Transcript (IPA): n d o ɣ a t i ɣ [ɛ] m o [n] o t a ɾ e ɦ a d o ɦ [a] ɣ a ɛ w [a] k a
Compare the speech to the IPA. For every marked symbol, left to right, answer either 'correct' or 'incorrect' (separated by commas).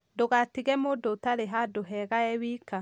correct, incorrect, incorrect, incorrect